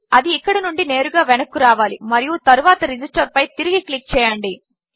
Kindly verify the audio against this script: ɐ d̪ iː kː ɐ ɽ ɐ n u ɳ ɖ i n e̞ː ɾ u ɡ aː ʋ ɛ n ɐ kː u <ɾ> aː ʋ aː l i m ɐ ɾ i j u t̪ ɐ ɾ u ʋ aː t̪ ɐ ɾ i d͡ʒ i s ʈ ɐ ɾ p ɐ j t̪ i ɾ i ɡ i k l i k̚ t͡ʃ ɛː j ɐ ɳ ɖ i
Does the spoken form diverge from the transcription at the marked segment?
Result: no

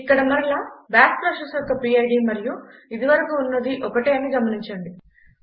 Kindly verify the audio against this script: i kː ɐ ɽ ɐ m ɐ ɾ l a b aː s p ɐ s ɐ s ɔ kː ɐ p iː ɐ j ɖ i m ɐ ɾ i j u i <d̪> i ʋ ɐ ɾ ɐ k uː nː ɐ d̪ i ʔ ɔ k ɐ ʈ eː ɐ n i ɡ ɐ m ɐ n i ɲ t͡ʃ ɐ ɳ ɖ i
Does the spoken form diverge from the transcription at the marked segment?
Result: no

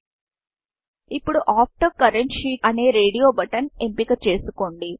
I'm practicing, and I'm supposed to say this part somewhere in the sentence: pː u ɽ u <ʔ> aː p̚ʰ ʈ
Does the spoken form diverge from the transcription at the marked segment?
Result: no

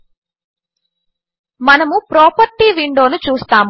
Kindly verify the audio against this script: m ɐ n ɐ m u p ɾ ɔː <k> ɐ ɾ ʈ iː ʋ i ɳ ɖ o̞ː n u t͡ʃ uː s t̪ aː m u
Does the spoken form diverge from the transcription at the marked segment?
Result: yes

